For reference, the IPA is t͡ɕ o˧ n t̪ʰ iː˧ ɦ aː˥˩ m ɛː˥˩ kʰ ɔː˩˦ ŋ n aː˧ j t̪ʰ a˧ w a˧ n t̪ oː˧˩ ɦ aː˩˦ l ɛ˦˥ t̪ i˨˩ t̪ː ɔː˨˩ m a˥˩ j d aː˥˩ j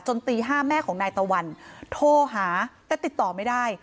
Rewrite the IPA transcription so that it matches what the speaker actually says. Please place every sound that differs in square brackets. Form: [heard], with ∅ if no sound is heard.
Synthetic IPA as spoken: t͡ɕ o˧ n [t̪] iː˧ ɦ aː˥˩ m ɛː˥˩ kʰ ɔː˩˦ ŋ n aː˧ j [t̪] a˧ w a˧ n [t̪ʰ] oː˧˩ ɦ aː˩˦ l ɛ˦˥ t̪ i˨˩ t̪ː ɔː˨˩ m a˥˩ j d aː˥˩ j